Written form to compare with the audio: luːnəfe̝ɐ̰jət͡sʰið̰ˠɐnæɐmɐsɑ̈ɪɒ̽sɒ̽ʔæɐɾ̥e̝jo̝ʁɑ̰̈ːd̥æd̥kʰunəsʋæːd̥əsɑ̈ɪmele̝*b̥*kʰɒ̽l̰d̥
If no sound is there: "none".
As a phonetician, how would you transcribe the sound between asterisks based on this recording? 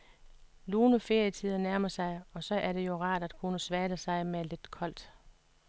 d̥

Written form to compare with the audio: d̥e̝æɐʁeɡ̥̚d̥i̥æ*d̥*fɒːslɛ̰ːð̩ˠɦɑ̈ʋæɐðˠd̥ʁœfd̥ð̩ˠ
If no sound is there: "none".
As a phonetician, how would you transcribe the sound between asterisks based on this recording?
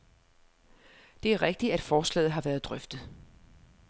d̥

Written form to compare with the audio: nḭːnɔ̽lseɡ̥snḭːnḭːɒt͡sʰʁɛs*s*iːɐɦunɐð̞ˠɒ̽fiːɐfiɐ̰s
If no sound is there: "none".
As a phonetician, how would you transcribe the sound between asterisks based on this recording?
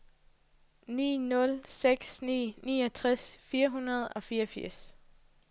f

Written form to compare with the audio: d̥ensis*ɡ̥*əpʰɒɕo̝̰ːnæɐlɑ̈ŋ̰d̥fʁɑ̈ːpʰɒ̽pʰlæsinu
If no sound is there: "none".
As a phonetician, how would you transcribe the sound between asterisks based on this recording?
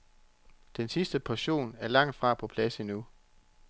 d̥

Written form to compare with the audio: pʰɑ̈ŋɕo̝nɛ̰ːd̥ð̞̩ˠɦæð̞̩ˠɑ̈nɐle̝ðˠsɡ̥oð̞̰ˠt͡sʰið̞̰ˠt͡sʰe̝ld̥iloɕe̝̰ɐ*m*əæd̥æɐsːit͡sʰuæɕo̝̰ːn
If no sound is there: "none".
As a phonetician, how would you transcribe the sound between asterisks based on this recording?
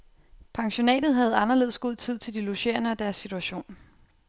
n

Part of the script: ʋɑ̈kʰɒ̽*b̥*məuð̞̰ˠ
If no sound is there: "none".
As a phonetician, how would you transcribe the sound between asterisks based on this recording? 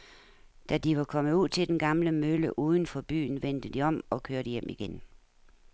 none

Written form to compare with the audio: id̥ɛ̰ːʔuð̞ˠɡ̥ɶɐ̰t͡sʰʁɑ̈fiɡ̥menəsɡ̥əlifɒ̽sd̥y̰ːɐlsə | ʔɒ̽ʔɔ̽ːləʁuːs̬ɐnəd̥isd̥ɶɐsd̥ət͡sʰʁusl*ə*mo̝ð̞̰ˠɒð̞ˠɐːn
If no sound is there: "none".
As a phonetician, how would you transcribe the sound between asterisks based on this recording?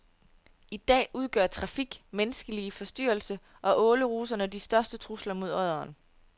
ɐ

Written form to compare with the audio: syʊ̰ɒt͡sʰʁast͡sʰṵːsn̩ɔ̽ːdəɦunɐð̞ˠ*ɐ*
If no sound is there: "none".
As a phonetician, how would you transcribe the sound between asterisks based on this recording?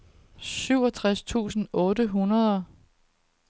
ɐ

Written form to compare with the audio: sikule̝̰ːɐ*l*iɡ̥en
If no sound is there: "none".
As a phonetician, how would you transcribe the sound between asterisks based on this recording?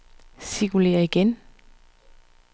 none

